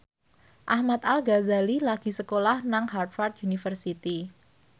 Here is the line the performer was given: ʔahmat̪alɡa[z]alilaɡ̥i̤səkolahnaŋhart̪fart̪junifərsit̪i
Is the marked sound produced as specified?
yes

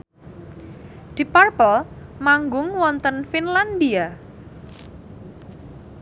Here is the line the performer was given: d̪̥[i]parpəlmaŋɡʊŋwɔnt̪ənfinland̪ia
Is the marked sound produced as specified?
yes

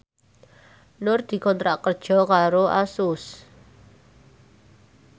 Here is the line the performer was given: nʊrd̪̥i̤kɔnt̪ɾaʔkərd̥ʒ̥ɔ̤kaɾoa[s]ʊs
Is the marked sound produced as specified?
yes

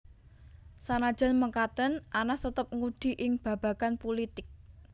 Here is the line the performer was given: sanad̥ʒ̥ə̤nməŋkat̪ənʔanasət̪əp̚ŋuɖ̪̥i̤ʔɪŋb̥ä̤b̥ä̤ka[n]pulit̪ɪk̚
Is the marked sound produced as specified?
yes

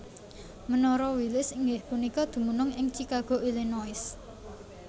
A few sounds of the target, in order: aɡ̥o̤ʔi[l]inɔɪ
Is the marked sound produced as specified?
yes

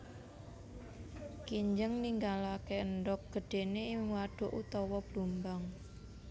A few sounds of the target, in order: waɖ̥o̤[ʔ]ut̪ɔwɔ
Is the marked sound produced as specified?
yes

